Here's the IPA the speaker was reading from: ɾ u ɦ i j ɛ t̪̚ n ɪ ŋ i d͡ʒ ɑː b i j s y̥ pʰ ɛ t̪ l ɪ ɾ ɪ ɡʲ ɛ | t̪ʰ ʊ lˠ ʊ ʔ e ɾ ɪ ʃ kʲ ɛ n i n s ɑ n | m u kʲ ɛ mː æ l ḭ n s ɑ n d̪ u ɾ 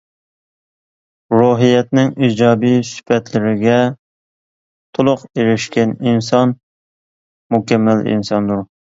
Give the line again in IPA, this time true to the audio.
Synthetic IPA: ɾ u ɦ i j ɛ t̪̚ n ɪ ŋ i d͡ʒ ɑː b i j s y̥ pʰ ɛ t̪ l ɪ ɾ ɪ ɡʲ ɛ | t̪ʰ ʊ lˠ ʊ q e ɾ ɪ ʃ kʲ ɛ n i n s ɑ n | m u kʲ ɛ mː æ l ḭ n s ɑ n d̪ u ɾ